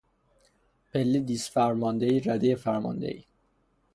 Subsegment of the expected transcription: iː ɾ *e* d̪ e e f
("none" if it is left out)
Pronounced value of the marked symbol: æ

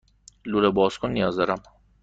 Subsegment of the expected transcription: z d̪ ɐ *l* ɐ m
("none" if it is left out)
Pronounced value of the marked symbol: ɾ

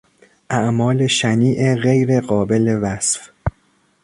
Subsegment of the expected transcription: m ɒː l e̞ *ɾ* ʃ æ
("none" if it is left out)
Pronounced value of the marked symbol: none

